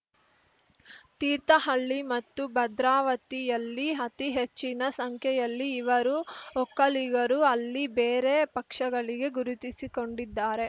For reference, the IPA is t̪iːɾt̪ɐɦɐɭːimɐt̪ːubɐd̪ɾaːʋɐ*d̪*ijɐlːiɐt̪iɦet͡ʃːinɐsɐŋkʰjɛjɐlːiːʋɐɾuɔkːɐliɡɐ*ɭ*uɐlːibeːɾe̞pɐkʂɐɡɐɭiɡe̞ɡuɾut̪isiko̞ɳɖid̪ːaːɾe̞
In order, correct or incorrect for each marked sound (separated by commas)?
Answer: incorrect, incorrect